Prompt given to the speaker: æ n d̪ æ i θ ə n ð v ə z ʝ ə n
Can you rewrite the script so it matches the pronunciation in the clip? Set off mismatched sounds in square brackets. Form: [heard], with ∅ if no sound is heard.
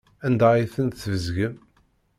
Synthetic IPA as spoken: æ n d̪ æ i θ ə n [θ] v ə z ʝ ə [m]